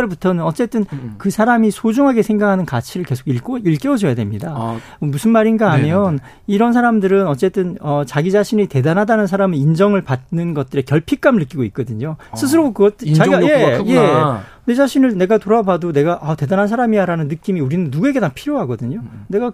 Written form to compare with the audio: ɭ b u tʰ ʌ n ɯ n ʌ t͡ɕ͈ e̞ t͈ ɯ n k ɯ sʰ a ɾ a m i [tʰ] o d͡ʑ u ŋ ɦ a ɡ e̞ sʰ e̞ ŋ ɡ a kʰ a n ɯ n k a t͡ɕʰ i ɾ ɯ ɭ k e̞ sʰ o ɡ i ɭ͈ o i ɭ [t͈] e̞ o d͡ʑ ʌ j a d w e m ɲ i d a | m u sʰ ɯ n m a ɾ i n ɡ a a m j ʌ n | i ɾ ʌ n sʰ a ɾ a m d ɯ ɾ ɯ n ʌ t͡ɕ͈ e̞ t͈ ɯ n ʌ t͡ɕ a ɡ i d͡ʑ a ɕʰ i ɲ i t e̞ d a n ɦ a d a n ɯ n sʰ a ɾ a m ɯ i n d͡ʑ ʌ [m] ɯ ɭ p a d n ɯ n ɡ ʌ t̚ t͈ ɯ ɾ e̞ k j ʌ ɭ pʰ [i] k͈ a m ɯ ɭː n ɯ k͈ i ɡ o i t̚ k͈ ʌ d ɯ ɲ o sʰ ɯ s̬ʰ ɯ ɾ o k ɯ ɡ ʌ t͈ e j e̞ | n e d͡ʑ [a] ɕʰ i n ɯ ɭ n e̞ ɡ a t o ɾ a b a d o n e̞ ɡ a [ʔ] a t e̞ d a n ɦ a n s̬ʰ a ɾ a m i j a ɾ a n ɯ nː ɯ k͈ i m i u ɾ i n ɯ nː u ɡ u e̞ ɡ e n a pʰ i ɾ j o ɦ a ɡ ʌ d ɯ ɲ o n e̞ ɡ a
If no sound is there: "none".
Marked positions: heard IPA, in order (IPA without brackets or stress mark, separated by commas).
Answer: sʰ, k͈, ŋ, i, a, ʔ